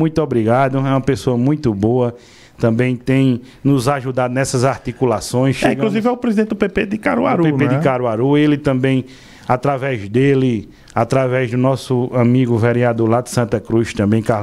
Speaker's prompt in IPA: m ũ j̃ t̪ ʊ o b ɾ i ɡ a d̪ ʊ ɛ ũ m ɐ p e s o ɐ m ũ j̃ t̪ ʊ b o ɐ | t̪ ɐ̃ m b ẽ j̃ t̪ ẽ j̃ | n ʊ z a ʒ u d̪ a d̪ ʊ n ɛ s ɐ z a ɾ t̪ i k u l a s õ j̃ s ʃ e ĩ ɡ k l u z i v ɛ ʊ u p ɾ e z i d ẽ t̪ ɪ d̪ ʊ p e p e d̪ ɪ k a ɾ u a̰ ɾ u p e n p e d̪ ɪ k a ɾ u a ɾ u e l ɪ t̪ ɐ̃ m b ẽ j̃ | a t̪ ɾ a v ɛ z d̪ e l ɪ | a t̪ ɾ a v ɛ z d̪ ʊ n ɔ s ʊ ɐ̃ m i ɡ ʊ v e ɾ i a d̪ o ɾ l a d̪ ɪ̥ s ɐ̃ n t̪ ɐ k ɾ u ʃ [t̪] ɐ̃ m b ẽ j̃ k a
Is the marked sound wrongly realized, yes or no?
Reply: no